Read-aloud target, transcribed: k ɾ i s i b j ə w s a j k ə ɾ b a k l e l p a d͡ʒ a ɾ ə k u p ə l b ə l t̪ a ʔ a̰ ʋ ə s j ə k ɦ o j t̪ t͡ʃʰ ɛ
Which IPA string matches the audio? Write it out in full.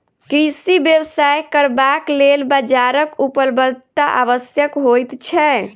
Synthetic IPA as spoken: k ɾ i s i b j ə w s a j k ə ɾ b a k l e l b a d͡ʒ a ɾ ə k u p ə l b ə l t̪ a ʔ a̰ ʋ ə s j ə k ɦ o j t̪ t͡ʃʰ ɛ